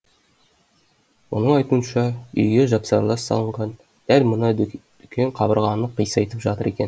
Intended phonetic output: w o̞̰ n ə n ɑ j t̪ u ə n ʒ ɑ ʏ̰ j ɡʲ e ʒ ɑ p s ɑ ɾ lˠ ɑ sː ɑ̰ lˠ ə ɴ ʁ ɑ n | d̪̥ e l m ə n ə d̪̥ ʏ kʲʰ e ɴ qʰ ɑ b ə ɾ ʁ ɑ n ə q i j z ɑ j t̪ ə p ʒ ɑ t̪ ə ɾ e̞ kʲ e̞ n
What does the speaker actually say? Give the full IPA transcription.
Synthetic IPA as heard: w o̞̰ n ə ɴ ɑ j t̪ u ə n ʃ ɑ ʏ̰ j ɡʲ e ʒ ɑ p s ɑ ɾ lˠ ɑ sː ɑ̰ lˠ ə ɴ ʁ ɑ n | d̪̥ æ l m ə n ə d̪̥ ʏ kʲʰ e ɴ qʰ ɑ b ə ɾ ʁ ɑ n ə q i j s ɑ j t̪ ə p ʒ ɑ t̪ ə ɾ e̞ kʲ e̞ n